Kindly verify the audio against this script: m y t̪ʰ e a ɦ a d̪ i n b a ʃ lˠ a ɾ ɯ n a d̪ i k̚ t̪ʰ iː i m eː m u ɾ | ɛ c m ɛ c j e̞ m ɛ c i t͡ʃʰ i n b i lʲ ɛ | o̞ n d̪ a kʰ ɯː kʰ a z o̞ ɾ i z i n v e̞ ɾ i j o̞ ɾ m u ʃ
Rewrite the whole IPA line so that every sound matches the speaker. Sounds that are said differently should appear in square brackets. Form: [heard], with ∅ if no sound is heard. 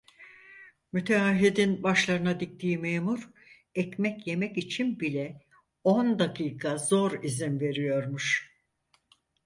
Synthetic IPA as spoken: m y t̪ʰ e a ɦ [i] d̪ i n b a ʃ lˠ a ɾ ɯ n a d̪ i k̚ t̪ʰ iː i m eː m u ɾ | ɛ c m ɛ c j e̞ m ɛ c i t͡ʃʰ i n b i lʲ ɛ | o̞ n d̪ a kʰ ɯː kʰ a z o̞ ɾ i z i n v e̞ ɾ i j o̞ ɾ m u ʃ